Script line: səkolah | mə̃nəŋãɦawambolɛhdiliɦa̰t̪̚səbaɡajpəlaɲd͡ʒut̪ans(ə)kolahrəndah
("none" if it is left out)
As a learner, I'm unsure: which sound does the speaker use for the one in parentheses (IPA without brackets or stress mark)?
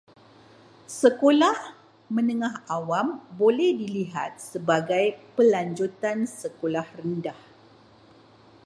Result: ə